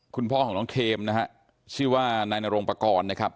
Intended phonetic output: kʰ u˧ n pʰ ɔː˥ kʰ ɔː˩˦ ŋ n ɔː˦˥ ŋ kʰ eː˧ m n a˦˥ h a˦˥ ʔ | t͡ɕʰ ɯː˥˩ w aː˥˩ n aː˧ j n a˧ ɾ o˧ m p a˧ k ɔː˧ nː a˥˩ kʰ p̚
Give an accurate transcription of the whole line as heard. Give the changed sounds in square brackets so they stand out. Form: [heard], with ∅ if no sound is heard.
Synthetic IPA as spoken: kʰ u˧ n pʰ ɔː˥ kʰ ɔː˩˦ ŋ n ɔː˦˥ ŋ kʰ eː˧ m n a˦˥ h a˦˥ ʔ | t͡ɕʰ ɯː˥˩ w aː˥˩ n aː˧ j n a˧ ɾ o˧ [ŋ] p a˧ k ɔː˧ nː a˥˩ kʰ p̚